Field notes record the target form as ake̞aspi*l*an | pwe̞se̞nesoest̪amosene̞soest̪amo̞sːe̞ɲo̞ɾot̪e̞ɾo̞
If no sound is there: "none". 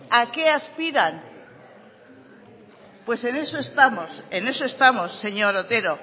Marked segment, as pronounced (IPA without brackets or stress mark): ɾ